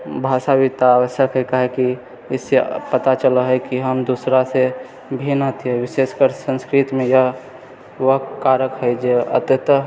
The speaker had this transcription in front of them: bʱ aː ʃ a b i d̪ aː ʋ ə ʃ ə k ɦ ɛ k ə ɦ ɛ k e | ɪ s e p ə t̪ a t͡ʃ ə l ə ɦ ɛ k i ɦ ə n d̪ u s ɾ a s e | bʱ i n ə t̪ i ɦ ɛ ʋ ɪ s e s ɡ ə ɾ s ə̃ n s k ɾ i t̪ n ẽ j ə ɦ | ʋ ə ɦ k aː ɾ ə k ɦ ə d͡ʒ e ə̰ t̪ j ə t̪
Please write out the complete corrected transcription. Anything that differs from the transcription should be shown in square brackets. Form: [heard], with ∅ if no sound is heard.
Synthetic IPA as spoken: bʱ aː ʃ a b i [t̪] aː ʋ ə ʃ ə k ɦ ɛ k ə ɦ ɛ k [i] | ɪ s e p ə t̪ a t͡ʃ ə l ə ɦ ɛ k i ɦ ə [m] d̪ u s ɾ a s e | bʱ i n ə t̪ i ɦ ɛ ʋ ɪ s e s [k] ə ɾ s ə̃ n s k ɾ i t̪ [m] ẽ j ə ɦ | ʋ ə ɦ k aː ɾ ə k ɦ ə d͡ʒ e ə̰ t̪ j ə t̪